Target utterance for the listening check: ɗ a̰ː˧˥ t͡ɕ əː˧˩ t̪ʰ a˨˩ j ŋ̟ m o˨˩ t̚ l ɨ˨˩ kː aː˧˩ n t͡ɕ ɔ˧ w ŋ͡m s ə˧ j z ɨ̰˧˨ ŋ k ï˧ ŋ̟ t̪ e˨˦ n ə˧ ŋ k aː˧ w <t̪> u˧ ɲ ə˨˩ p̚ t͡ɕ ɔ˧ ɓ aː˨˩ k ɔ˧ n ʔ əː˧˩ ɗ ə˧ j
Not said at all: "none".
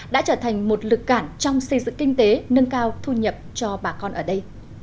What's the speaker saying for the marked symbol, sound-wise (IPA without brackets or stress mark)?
t̪ʰ